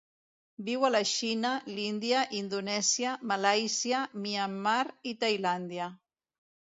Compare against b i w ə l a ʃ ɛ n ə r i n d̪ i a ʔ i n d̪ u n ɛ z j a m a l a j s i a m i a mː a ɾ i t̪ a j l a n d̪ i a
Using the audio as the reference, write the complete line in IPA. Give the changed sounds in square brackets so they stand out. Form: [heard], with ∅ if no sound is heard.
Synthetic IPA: b i w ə l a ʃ [i] n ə [l] i n d̪ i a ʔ i n d̪ u n ɛ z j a m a l a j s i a m i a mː a ɾ i t̪ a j l a n d̪ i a